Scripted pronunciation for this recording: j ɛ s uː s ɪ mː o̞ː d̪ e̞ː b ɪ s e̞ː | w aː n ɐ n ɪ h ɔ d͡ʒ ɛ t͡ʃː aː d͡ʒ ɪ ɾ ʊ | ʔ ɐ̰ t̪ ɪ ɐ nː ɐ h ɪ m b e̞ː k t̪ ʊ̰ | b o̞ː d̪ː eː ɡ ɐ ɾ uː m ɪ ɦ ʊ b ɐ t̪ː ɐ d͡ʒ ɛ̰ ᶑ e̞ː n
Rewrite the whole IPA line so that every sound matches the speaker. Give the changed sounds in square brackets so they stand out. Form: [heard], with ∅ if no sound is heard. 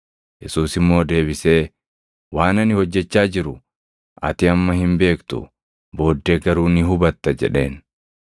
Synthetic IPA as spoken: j ɛ s uː s ɪ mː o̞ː d̪ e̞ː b ɪ s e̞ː | w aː n ɐ n ɪ h ɔ [d͡ʒː] ɛ t͡ʃː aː d͡ʒ ɪ ɾ ʊ | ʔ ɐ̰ t̪ ɪ ɐ [mː] ɐ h ɪ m b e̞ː k t̪ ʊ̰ | b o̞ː d̪ː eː ɡ ɐ ɾ uː [n] ɪ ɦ ʊ b ɐ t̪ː ɐ d͡ʒ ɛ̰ ᶑ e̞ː n